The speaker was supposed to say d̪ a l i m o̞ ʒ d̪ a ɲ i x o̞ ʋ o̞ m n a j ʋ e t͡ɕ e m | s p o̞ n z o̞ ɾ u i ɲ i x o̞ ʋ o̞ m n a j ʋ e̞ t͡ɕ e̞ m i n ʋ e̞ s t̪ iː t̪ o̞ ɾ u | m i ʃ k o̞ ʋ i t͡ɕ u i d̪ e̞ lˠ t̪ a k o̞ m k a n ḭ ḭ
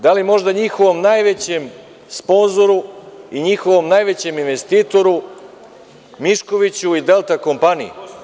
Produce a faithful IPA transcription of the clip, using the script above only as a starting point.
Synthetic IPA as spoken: d̪ a l i m o̞ ʒ d̪ a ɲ i x o̞ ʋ o̞ m n a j ʋ e t͡ɕ e m | s p o̞ n z o̞ ɾ u i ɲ i x o̞ ʋ o̞ m n a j ʋ e̞ t͡ɕ e̞ m i n ʋ e̞ s t̪ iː t̪ o̞ ɾ u | m i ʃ k o̞ ʋ i t͡ɕ u i d̪ e̞ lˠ t̪ a k o̞ m p a n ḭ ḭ